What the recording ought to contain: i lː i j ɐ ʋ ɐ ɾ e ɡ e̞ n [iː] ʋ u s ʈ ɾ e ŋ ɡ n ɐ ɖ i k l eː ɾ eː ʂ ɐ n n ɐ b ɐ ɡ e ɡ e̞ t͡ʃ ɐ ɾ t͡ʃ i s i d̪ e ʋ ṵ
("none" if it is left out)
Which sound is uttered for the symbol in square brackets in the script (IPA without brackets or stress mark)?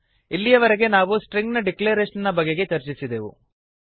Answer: aː